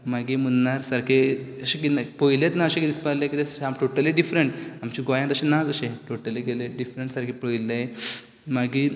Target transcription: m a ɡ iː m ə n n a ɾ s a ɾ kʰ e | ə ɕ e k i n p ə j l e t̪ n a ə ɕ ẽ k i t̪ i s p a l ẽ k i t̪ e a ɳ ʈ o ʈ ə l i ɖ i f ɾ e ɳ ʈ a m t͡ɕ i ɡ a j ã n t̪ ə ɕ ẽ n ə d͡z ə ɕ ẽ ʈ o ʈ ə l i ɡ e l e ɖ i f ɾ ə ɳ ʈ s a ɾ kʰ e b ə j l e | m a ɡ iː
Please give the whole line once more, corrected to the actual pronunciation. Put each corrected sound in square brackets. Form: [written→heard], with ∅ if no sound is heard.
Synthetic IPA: m a ɡ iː m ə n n a ɾ s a ɾ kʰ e | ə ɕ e k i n p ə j l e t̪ n a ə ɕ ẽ k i [t̪→d̪] i s p a l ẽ k i t̪ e a [ɳ→m] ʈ o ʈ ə l i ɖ i f ɾ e ɳ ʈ a m t͡ɕ i ɡ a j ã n t̪ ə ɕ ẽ n [ə→a] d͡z ə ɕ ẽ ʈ o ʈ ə l i ɡ e l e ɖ i f ɾ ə ɳ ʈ s a ɾ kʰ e [b→p] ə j l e | m a ɡ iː